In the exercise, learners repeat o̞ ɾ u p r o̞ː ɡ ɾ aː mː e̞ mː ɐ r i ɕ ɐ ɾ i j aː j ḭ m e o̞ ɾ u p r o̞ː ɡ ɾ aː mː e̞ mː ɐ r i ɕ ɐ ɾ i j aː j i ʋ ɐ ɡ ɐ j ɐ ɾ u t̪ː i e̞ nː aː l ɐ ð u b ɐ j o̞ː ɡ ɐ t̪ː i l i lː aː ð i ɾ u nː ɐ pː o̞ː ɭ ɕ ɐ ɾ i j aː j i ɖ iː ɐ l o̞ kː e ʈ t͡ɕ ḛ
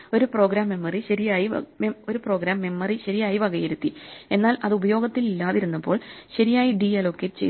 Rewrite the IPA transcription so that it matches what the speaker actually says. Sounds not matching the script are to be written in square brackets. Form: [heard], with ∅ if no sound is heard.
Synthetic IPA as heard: o̞ ɾ u p r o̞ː ɡ ɾ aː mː e̞ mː ɐ r i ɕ ɐ ɾ i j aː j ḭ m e o̞ ɾ u p r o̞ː ɡ ɾ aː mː e̞ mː ɐ r i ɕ ɐ ɾ i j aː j i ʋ ɐ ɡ ɐ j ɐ ɾ u t̪ː i e̞ nː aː l ɐ ð u b ɐ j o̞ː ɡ ɐ t̪ː i l i lː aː ð i ɾ u nː ɐ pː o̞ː ɭ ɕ ɐ ɾ i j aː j i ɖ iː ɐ l o̞ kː e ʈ t͡ɕ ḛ

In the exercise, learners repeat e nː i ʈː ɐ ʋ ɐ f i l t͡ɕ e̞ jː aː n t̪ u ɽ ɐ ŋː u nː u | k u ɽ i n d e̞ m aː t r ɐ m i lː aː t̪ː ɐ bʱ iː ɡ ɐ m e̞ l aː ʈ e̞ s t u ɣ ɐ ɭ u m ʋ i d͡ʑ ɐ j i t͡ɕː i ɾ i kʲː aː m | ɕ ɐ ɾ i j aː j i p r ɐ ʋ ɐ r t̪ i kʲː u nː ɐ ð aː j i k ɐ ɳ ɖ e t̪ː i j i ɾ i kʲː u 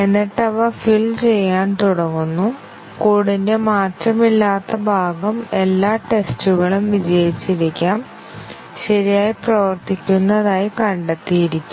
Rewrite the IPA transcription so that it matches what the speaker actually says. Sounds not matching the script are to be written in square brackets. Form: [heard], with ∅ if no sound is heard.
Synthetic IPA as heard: e nː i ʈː ɐ ʋ ɐ f i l t͡ɕ e̞ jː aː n t̪ u ɽ ɐ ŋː u nː u | k [uː] ɽ i n d e̞ m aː t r ɐ m i lː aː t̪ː ɐ bʱ [aː] ɡ ɐ m e̞ [lː] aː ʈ e̞ s t u ɣ ɐ ɭ u m ʋ i d͡ʑ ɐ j i t͡ɕː i ɾ i kʲː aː m | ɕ ɐ ɾ i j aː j i p r ɐ ʋ ɐ r t̪ i kʲː u nː ɐ ð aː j i k ɐ ɳ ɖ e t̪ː i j i ɾ i kʲː u

